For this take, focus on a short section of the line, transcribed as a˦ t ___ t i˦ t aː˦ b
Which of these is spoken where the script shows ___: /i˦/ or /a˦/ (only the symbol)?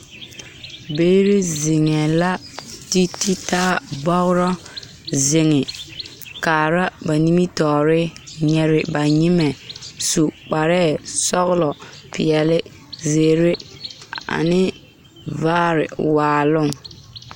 i˦